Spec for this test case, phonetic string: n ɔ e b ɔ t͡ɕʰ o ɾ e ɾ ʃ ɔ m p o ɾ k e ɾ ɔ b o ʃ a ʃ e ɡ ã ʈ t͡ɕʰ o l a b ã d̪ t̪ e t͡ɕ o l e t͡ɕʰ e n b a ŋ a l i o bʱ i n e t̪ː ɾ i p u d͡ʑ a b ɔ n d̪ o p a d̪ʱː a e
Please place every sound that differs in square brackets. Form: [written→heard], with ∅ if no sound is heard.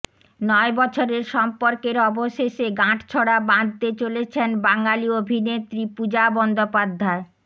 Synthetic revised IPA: n ɔ e b ɔ t͡ɕʰ o ɾ e ɾ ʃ ɔ m p o ɾ k e ɾ ɔ b o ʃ [a→e] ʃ e ɡ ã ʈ t͡ɕʰ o [l→ɽ] a b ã d̪ t̪ e t͡ɕ o l e t͡ɕʰ e n b a ŋ a l i o bʱ i n e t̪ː ɾ i p u d͡ʑ a b ɔ n d̪ o p a d̪ʱː a e